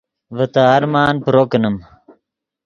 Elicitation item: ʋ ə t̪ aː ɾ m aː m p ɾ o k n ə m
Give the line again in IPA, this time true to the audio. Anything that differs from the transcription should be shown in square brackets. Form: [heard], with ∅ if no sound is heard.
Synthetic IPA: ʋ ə t̪ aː ɾ m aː [n] p ɾ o k n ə m